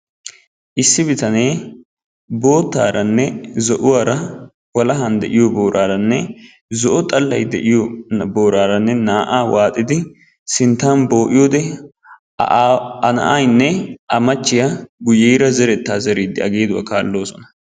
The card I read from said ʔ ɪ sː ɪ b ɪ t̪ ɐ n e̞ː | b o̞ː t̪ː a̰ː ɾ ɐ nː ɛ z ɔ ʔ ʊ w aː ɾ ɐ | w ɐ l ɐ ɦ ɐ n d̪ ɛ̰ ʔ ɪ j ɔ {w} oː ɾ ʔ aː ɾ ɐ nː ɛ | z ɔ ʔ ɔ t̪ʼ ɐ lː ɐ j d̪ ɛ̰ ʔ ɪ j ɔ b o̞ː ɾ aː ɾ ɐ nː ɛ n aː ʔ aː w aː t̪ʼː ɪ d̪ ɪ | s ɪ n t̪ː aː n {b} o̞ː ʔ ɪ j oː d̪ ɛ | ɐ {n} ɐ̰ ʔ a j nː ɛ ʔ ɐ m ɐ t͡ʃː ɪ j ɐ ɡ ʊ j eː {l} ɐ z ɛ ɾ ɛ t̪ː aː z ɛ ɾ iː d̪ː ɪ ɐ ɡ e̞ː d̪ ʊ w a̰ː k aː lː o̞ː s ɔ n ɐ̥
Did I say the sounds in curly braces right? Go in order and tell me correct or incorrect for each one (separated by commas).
incorrect, correct, correct, incorrect